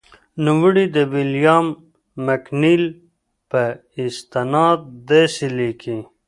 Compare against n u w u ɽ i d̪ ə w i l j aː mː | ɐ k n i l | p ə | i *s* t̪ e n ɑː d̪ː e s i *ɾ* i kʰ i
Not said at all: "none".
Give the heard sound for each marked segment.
s, l

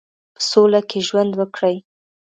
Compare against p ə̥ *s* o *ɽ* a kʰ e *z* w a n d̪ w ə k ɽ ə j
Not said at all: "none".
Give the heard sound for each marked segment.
s, l, ʒ

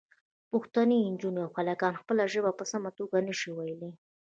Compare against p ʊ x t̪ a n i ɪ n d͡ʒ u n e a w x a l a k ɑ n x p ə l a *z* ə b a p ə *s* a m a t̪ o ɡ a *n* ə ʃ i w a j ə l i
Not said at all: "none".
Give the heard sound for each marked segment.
ʒ, s, n

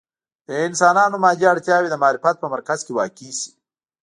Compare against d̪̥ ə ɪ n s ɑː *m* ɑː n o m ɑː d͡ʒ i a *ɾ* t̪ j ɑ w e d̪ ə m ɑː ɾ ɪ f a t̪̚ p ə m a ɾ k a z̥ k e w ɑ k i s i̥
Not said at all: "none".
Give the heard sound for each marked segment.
n, ɽ

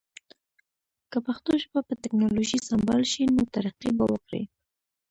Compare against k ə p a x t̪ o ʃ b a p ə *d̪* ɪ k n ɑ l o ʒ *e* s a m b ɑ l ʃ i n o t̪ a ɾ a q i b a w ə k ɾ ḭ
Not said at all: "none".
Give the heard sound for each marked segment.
t̪, i

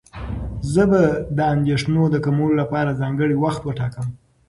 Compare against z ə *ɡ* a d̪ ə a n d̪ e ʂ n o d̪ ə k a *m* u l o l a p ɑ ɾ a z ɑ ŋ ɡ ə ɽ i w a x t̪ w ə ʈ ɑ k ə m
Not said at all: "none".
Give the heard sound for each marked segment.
b, m

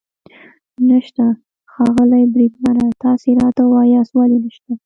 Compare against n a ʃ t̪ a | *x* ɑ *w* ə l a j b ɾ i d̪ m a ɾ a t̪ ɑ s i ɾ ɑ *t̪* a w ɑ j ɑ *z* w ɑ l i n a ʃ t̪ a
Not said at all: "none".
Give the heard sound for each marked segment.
x, ɣ, t̪, s

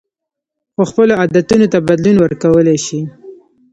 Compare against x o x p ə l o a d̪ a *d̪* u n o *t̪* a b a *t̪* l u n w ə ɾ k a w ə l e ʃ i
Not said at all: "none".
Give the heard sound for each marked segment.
t̪, t̪, d̪

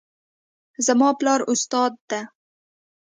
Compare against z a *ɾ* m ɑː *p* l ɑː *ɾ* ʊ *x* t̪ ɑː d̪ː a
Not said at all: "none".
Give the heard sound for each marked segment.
none, p, ɾ, s

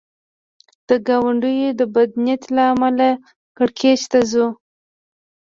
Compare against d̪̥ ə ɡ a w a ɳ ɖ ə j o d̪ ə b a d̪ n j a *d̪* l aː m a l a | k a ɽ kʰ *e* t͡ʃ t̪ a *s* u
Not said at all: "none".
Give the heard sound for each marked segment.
t̪, e, z

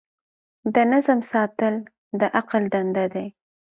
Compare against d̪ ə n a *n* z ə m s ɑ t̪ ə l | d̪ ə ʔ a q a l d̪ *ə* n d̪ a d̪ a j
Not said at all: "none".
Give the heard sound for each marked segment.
none, a

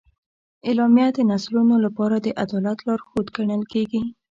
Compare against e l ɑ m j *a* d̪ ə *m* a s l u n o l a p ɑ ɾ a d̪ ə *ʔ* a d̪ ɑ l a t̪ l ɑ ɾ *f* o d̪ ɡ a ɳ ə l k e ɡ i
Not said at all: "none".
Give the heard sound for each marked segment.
a, n, ʔ, x

